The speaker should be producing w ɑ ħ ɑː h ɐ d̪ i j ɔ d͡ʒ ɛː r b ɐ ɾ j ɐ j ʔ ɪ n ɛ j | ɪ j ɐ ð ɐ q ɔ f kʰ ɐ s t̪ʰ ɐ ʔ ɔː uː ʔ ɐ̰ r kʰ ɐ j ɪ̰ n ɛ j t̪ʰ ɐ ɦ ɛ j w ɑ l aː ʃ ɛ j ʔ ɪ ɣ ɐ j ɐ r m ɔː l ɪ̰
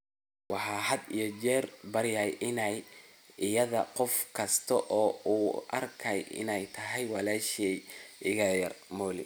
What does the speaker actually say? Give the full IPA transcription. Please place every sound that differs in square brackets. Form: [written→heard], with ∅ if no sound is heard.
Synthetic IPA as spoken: w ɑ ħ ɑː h ɐ d̪ i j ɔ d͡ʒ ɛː r b ɐ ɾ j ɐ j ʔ ɪ n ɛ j | ɪ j ɐ ð ɐ q ɔ f kʰ ɐ s t̪ʰ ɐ ʔ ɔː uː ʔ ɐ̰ r kʰ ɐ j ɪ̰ n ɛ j t̪ʰ ɐ ɦ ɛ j w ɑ l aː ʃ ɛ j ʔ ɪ ɣ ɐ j ɐ r m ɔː l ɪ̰